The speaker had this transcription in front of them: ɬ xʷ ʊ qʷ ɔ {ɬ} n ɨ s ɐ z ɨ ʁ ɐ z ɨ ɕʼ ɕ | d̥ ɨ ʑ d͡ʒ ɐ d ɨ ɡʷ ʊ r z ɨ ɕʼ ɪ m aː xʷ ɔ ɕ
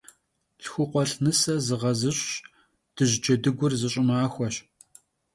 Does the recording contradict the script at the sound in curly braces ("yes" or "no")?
no